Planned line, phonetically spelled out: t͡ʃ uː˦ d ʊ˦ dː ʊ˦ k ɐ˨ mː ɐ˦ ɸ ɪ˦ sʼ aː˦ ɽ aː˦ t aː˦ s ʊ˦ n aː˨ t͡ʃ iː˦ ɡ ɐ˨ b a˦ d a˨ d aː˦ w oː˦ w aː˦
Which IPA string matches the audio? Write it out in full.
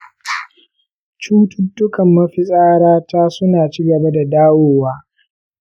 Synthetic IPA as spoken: t͡ʃ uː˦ t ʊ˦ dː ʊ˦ k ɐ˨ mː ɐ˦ ɸ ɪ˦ sʼ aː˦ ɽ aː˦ t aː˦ s ʊ˦ n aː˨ t͡ʃ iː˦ ɡ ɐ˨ b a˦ d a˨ d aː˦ w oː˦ w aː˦